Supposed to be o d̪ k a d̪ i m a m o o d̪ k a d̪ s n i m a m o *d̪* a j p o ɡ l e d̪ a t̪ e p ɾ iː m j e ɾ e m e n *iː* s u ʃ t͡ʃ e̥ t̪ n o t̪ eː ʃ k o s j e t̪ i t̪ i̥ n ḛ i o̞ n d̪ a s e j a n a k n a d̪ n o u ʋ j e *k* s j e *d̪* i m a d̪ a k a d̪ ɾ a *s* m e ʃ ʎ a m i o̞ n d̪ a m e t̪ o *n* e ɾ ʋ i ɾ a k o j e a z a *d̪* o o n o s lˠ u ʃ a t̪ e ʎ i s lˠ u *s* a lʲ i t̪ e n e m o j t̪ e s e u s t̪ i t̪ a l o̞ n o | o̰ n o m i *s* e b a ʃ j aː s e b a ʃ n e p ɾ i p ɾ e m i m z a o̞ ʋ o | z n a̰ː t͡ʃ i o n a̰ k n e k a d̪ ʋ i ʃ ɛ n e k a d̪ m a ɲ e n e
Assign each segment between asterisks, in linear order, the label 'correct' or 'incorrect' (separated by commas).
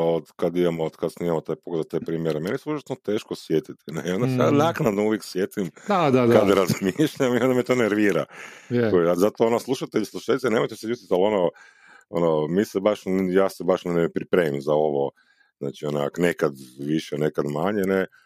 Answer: incorrect, incorrect, correct, incorrect, incorrect, correct, incorrect, incorrect, correct